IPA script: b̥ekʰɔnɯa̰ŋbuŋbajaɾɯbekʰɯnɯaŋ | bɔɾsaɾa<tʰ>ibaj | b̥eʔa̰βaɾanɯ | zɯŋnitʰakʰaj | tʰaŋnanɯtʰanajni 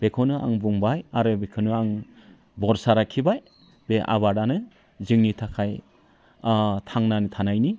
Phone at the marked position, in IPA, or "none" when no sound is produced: kʰ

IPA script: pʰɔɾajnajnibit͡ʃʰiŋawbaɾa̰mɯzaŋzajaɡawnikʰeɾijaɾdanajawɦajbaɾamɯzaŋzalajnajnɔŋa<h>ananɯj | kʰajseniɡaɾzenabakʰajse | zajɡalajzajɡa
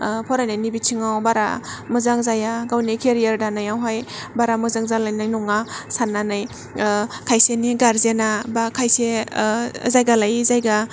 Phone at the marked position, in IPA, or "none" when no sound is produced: s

